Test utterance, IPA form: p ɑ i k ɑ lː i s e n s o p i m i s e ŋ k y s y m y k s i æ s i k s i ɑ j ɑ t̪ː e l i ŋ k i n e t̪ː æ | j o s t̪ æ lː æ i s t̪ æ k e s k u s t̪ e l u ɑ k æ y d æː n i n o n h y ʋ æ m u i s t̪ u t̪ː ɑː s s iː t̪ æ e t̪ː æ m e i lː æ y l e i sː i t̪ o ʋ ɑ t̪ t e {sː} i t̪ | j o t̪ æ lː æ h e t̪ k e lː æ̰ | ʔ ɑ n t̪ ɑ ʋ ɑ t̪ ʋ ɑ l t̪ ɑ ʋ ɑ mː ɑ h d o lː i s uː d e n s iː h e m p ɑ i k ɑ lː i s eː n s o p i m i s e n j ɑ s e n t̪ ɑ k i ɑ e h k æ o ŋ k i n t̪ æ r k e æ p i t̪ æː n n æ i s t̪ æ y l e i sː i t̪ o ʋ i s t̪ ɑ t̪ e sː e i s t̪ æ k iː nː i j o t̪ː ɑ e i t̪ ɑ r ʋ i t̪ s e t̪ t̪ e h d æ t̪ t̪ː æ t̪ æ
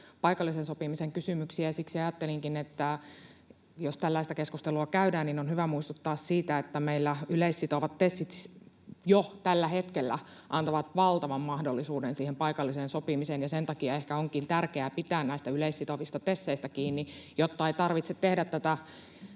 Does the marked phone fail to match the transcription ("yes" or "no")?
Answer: no